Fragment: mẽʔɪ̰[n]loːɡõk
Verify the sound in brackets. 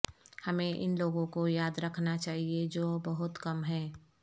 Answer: correct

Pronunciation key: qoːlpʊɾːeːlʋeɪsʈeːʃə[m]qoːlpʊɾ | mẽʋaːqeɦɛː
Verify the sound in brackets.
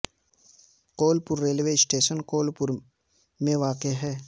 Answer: incorrect: n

